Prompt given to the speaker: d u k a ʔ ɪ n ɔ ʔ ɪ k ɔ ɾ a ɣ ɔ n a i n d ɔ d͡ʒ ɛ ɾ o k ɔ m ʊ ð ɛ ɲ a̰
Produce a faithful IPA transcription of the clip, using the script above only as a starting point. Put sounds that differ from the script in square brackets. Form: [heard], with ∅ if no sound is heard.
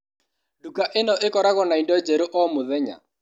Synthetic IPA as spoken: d u k a ʔ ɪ n ɔ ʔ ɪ k ɔ ɾ a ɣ ɔ n a i n d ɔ d͡ʒ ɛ ɾ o [ʔ] ɔ m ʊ ð ɛ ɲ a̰